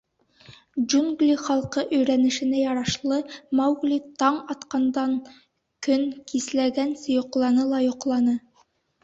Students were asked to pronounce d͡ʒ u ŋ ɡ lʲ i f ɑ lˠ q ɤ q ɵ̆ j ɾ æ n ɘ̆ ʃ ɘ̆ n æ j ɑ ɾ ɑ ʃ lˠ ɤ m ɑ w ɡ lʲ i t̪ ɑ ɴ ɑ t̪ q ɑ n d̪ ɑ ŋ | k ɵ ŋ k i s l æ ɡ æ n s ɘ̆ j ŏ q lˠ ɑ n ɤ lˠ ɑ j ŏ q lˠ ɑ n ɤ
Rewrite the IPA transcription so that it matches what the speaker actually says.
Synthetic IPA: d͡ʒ u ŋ ɡ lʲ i χ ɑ lˠ q ɤ ʔ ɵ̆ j ɾ æ n ɘ̆ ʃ ɘ̆ n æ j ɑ ɾ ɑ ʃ lˠ ɤ m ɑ w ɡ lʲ i t̪ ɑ ɴ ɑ t̪ q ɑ n d̪ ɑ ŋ | k ɵ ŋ k i s l æ ɡ æ n s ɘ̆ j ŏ q lˠ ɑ n ɤ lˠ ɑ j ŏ q lˠ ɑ n ɤ